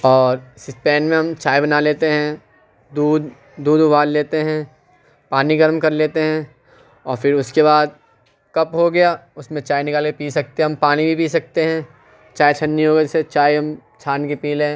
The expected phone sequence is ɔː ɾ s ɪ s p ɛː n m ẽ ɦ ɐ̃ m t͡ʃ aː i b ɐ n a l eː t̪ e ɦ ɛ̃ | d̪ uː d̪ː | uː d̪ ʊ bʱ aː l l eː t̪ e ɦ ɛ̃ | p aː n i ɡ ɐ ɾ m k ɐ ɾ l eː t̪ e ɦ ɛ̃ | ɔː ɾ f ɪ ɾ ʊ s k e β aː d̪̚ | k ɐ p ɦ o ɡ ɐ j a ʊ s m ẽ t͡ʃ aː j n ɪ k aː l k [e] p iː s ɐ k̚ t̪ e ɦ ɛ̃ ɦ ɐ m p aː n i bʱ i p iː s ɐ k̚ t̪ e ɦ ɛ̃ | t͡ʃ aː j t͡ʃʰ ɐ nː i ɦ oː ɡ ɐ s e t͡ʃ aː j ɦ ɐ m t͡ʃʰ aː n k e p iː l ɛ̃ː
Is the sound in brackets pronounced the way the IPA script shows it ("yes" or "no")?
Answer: yes